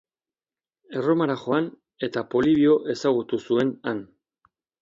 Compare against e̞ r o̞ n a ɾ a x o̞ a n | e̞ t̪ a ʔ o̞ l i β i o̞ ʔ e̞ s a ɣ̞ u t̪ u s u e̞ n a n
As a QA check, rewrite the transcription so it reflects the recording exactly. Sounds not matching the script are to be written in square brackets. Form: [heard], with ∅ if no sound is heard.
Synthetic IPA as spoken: e̞ r o̞ [m] a ɾ a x o̞ a n | e̞ t̪ a [p] o̞ l i β i o̞ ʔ e̞ s a ɣ̞ u t̪ u s u e̞ n a n